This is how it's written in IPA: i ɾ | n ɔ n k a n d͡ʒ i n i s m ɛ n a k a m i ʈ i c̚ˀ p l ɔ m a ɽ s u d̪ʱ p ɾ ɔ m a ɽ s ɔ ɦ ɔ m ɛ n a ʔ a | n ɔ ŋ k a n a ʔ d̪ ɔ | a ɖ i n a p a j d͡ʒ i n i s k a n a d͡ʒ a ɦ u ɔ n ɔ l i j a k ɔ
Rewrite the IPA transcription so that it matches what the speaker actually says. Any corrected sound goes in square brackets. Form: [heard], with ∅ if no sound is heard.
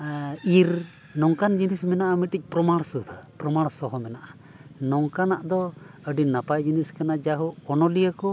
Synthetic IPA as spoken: i ɾ | n ɔ [ŋ] k a n d͡ʒ i n i s m ɛ n a [ʔ] a m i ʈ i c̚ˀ p [ɾ] ɔ m a ɽ s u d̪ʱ p ɾ ɔ m a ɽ s ɔ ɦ ɔ m ɛ n a ʔ a | n ɔ ŋ k a n a ʔ d̪ ɔ | [ə] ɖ i n a p a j d͡ʒ i n i s k a n a d͡ʒ a ɦ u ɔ n ɔ l i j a k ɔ